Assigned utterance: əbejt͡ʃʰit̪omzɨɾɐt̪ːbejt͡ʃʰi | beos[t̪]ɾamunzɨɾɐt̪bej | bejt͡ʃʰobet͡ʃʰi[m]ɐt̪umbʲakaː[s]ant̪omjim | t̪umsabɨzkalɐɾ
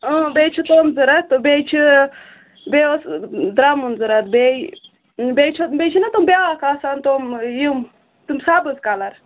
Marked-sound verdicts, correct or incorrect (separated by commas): incorrect, incorrect, correct